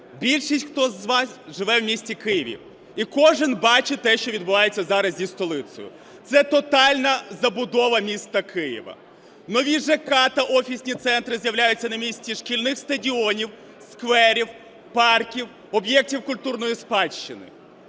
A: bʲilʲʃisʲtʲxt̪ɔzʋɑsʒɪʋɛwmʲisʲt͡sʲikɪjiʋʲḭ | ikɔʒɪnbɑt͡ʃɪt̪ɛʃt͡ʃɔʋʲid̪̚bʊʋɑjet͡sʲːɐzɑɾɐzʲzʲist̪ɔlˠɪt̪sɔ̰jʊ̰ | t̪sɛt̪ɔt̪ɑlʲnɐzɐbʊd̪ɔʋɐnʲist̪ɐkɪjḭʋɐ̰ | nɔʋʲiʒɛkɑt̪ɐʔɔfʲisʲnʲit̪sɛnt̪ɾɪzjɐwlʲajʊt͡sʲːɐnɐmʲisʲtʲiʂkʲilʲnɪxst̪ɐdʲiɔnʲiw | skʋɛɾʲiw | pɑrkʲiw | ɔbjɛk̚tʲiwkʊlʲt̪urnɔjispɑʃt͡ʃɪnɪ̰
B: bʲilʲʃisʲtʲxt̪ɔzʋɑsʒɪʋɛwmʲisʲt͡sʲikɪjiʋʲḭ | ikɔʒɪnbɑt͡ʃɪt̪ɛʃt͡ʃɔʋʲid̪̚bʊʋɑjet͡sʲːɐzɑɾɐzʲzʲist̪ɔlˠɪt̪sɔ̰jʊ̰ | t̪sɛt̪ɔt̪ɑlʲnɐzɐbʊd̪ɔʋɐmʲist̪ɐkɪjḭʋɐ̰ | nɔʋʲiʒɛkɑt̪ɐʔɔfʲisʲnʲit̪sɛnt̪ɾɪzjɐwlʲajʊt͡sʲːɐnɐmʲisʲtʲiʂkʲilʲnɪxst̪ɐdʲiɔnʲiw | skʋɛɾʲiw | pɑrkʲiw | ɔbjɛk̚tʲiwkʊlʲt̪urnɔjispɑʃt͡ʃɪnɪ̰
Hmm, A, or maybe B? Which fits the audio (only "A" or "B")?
B